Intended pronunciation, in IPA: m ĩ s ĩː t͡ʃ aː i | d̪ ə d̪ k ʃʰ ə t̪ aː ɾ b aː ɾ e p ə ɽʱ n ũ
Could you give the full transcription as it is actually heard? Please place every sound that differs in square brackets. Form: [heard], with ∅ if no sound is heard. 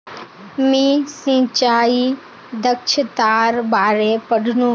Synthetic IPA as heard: m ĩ s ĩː t͡ʃ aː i | d̪ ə [∅] k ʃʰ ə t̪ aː ɾ b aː ɾ e p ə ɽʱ n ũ